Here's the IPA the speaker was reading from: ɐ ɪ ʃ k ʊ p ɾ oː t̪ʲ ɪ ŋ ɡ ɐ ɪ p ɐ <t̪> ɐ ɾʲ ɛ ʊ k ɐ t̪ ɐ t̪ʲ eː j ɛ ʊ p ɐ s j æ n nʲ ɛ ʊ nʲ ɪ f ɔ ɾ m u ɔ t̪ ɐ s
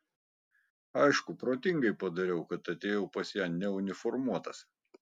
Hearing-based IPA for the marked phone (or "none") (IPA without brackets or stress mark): d̪